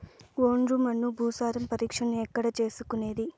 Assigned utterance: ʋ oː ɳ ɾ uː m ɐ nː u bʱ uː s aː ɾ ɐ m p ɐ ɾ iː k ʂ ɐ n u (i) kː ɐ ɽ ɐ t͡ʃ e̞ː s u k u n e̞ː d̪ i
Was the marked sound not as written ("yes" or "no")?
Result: yes